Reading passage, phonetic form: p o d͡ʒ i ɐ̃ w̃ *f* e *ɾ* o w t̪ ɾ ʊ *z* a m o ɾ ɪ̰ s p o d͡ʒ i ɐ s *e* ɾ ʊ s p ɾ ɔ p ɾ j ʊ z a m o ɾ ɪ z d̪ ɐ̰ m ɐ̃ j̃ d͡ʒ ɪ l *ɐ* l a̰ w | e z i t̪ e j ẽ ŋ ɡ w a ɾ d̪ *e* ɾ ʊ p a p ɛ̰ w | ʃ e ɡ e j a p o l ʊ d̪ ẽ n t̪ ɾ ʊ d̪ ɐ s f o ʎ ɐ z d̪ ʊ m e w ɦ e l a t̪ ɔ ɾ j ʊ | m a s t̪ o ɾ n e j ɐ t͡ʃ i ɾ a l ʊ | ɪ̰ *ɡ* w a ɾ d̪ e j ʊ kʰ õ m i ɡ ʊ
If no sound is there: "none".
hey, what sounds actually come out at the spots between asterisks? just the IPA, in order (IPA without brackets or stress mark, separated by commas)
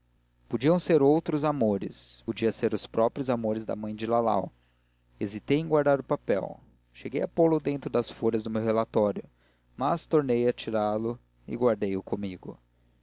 s, ɾ, z, e, a, a, ɡ